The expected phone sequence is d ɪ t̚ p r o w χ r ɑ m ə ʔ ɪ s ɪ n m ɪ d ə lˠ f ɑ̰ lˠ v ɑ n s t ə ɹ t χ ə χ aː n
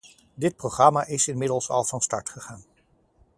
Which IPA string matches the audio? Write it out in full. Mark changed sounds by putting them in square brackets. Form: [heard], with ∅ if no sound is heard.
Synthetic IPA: d ɪ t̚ p r o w χ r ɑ m [a] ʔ ɪ s ɪ n m ɪ d ə lˠ [s] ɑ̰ lˠ v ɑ n s t [ɑ] ɹ t χ ə χ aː n